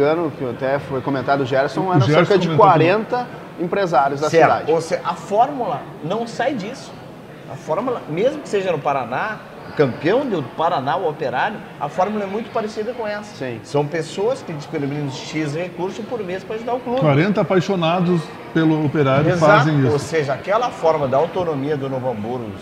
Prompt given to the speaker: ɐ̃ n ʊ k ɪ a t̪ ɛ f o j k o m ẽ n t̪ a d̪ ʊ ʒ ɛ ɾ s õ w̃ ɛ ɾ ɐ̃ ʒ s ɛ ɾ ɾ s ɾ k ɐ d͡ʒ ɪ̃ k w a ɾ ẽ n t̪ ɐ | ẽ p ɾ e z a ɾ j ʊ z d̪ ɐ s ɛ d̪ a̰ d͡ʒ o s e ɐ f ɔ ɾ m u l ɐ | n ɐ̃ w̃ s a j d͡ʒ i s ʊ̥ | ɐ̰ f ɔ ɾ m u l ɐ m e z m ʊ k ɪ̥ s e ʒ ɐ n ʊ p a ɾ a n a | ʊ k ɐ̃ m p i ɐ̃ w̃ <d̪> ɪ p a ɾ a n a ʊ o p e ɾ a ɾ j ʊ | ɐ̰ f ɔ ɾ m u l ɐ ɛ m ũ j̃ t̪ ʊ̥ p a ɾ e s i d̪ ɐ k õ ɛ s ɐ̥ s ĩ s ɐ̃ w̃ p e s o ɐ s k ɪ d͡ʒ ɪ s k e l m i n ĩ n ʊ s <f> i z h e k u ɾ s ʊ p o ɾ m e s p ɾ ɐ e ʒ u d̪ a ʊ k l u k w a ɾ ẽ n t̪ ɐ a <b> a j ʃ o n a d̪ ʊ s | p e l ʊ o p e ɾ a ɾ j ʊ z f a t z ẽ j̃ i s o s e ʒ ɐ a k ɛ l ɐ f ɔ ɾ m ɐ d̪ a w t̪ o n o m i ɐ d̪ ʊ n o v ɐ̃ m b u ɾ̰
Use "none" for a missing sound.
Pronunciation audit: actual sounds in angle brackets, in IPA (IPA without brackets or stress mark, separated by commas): d̪, ʃ, p